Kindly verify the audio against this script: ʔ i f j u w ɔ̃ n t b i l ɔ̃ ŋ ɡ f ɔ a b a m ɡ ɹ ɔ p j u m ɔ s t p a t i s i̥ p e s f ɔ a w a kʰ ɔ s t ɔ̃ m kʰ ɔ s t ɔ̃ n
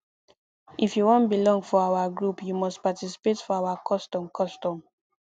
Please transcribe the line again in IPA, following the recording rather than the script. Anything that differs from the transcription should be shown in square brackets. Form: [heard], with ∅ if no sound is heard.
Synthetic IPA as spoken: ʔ i f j u w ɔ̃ n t b i l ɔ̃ ŋ ɡ f ɔ a [w] a [∅] ɡ ɹ [u] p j u m ɔ s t p a t i s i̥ p e [t] f ɔ a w a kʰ ɔ s t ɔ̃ m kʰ ɔ s t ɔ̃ [m]